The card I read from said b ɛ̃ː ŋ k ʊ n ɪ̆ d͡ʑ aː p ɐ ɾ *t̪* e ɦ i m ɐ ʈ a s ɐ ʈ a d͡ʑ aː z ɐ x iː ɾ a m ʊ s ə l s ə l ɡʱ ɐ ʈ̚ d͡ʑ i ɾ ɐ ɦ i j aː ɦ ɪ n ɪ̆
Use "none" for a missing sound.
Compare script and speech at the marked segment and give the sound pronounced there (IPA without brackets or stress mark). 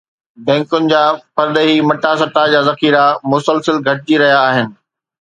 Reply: d̪